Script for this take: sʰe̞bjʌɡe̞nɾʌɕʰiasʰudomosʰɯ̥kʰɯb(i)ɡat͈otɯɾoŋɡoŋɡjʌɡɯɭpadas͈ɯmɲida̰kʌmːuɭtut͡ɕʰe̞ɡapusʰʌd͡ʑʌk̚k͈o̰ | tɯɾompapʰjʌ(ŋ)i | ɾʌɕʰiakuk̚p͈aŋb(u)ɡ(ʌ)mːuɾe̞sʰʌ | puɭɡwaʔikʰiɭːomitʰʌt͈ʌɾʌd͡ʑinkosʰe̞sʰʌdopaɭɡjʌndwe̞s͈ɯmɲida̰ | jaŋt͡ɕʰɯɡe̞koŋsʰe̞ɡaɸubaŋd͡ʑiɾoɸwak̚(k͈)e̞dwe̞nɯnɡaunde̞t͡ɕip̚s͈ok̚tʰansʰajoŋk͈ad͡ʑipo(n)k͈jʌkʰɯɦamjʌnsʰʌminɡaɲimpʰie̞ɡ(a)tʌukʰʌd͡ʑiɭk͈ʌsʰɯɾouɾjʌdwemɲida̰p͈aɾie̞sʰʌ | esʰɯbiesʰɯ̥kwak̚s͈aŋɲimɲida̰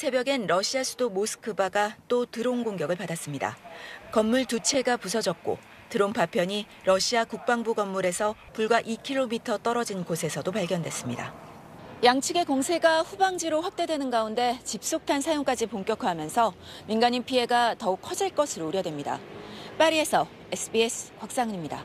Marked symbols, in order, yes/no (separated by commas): no, no, yes, yes, no, no, yes